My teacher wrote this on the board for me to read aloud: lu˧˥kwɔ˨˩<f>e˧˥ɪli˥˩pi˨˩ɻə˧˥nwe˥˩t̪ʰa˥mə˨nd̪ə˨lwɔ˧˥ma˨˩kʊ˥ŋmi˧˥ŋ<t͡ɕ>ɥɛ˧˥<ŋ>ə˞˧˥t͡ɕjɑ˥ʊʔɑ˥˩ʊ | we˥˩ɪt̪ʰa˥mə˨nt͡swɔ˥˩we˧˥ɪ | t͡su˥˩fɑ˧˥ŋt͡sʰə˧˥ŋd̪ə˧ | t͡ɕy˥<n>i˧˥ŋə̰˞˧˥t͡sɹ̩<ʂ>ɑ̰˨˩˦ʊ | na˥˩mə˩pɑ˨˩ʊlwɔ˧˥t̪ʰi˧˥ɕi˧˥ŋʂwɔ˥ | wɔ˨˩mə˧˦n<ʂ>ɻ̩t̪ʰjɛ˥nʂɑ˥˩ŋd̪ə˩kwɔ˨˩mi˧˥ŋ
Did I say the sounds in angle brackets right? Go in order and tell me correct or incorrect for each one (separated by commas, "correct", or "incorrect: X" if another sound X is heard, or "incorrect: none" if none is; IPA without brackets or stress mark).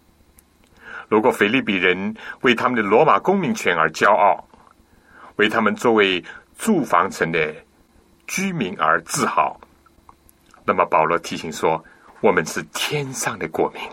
correct, incorrect: t͡ɕʰ, incorrect: n, incorrect: m, incorrect: x, correct